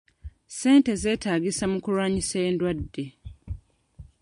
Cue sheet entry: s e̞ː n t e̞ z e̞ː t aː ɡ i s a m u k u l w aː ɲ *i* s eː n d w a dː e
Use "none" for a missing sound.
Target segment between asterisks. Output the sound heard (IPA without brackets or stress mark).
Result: i